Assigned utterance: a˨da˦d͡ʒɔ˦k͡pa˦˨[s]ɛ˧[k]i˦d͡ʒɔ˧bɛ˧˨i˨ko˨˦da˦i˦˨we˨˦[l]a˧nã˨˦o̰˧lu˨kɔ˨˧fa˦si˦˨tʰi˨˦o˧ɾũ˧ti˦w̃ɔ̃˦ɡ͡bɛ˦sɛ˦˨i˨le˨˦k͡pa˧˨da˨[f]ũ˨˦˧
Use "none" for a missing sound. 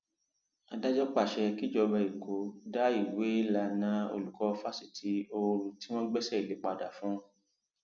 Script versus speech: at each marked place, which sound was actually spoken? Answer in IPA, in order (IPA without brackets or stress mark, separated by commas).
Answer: ʃ, k, l, f